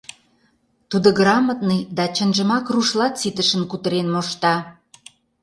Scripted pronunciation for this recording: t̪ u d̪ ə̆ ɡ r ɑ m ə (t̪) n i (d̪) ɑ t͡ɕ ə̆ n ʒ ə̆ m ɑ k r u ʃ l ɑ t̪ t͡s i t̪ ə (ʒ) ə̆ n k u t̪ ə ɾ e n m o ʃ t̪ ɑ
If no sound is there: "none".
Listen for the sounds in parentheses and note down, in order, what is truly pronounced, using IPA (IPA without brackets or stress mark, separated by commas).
t̪, d̪, ʃ